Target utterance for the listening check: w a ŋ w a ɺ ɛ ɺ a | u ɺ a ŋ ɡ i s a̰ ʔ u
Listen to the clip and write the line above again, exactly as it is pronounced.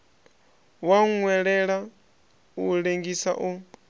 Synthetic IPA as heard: w a ŋ w ɛ ɺ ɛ ɺ a | u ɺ e ŋ ɡ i s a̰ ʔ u